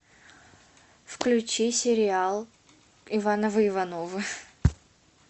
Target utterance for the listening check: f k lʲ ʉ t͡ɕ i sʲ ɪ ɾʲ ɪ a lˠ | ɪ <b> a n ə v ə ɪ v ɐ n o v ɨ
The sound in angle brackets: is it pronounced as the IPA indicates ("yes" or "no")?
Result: no